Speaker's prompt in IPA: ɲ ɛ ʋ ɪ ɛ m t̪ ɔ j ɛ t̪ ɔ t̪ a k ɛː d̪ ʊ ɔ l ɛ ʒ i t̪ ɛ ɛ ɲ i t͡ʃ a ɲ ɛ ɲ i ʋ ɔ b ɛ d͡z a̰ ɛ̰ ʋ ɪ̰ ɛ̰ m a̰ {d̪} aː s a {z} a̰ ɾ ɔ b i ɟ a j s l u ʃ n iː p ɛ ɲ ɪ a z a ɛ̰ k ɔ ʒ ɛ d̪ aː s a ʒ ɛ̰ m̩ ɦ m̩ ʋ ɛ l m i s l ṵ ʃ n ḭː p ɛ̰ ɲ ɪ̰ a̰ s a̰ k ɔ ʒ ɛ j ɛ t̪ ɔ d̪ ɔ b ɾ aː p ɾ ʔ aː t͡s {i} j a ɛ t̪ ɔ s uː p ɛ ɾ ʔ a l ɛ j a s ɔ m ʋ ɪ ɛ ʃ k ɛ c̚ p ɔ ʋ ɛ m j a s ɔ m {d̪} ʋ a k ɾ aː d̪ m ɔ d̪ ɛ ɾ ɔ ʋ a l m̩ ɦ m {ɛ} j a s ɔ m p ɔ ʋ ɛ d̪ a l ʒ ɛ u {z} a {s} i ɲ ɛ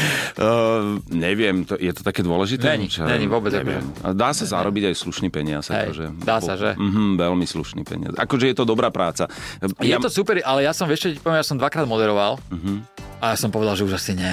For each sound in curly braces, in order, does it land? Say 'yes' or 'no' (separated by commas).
yes, yes, no, yes, no, no, yes